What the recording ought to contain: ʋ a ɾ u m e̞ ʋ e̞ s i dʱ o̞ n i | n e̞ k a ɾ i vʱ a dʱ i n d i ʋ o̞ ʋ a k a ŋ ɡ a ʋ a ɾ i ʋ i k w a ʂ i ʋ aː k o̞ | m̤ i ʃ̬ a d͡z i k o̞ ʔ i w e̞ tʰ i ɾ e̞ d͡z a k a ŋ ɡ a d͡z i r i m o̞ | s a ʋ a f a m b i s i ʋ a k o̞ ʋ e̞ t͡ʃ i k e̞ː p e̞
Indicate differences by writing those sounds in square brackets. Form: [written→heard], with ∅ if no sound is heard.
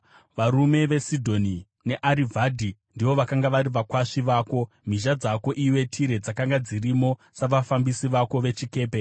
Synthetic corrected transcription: ʋ a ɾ u m e̞ ʋ e̞ s i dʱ o̞ n i | n e̞ [k→ʔ] a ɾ i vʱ a dʱ i n d i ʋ o̞ ʋ a k a ŋ ɡ a ʋ a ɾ i ʋ [i→a] k w a ʂ i ʋ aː k o̞ | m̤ i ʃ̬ a d͡z [i→a] k o̞ ʔ i w e̞ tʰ i ɾ e̞ d͡z a k a ŋ ɡ a d͡z i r i m o̞ | s a ʋ a f a m b i s i ʋ a k o̞ ʋ e̞ t͡ʃ i k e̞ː p e̞